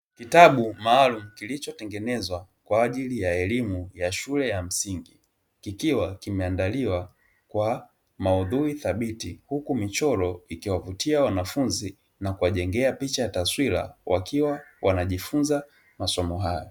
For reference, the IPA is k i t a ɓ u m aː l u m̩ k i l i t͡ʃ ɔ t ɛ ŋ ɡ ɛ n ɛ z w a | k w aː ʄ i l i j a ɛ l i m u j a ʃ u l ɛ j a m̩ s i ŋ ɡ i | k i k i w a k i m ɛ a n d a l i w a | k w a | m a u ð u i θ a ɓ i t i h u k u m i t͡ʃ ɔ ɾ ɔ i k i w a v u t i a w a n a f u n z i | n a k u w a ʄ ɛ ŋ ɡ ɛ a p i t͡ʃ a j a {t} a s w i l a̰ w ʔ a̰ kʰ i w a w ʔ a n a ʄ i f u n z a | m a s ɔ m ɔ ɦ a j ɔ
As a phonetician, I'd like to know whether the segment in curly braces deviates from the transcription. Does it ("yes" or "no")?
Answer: no